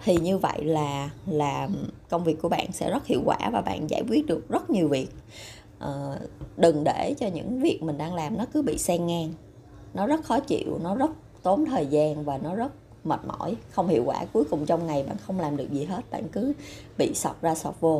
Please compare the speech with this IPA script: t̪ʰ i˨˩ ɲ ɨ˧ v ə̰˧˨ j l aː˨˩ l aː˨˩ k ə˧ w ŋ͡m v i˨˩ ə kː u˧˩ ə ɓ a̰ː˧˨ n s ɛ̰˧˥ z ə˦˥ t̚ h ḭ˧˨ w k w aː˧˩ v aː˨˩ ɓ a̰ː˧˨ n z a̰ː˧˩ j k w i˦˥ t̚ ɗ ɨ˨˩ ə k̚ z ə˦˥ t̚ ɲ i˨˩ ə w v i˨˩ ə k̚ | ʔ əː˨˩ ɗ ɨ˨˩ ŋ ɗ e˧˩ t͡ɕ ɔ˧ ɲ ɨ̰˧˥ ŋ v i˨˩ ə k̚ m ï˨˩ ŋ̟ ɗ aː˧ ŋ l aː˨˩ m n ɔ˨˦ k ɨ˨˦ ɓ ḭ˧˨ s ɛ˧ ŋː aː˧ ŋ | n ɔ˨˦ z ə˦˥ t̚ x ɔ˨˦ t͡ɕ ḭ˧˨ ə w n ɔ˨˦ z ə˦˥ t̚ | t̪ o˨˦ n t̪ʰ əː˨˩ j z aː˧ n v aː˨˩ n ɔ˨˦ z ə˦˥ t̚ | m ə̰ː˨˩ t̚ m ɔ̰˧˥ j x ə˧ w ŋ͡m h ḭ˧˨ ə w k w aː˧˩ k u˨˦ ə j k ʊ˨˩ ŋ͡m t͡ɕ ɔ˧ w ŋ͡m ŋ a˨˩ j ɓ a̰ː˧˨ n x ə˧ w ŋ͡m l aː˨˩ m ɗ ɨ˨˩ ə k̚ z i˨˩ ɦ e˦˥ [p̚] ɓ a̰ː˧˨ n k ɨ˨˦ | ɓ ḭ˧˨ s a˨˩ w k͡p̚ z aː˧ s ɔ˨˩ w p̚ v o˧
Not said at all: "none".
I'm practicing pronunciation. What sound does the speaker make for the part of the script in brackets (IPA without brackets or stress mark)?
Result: t̚